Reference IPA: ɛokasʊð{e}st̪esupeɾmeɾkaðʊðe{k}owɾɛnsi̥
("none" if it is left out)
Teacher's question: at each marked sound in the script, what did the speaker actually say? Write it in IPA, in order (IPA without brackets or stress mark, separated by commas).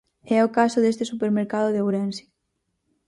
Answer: e, none